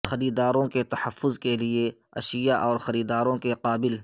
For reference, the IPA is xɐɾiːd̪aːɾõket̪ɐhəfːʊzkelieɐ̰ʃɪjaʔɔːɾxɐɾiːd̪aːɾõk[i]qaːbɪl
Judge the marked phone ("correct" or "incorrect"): incorrect